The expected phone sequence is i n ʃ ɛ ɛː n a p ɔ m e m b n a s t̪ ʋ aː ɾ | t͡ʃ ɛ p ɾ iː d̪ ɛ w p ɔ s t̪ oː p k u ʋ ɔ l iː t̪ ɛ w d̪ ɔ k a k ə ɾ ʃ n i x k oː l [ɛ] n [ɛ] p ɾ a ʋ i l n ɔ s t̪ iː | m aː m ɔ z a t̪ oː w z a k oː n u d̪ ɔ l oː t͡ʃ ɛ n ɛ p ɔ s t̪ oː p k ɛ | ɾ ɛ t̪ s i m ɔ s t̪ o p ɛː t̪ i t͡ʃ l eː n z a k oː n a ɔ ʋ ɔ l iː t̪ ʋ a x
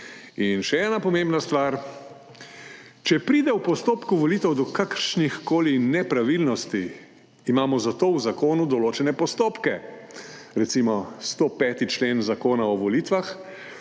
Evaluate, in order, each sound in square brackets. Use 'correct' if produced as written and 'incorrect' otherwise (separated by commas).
incorrect, correct